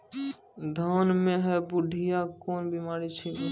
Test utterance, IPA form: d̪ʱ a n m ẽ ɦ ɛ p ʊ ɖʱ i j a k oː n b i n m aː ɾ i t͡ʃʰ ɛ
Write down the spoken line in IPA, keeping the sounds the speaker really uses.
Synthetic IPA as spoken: d̪ʱ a n m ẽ ɦ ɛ b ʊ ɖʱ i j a k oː n b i m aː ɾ i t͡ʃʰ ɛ